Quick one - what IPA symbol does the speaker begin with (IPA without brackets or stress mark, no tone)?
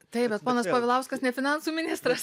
t̪